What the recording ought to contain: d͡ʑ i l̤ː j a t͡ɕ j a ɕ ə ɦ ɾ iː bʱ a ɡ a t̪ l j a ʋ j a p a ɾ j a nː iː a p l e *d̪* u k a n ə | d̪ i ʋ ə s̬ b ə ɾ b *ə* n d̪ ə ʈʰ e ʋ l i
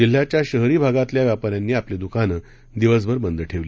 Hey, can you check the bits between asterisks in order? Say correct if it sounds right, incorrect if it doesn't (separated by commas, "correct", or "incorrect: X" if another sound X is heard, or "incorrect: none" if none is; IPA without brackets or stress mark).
correct, correct